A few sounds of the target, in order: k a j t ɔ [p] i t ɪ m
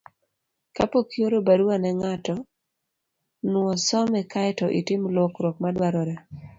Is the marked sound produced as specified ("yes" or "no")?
no